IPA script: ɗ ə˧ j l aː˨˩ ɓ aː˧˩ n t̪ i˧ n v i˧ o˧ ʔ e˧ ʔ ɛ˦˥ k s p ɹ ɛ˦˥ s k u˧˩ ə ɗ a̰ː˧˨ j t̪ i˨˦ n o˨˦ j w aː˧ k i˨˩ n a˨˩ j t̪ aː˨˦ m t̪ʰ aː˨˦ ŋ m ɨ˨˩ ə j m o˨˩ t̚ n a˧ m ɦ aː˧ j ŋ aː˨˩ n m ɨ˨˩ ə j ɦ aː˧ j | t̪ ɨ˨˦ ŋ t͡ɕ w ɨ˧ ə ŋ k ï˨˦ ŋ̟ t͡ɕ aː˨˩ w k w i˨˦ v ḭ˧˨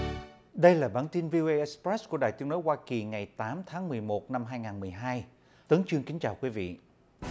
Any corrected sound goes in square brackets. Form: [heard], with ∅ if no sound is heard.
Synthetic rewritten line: ɗ ə˧ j l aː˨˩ ɓ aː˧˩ n t̪ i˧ n v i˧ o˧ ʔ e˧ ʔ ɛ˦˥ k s p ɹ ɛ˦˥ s k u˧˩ ə ɗ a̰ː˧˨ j t̪ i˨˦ n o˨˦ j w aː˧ k i˨˩ [ŋ] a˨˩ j t̪ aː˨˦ m t̪ʰ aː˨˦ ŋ m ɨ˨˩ ə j m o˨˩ t̚ n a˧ m ɦ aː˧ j ŋ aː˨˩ n m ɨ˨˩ ə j ɦ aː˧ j | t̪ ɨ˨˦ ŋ t͡ɕ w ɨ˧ ə ŋ k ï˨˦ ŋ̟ t͡ɕ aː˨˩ w k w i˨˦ v ḭ˧˨